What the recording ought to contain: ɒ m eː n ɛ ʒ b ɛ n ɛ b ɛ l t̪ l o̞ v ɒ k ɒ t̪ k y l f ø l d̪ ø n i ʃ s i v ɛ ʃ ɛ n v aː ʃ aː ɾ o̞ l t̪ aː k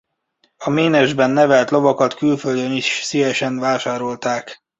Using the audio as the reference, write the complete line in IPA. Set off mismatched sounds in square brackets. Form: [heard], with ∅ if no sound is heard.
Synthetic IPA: ɒ m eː n ɛ ʒ b ɛ [nː] ɛ [v] ɛ l t̪ l o̞ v ɒ k ɒ t̪ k y l f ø l d̪ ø n i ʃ s i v ɛ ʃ ɛ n v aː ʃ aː ɾ o̞ l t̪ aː k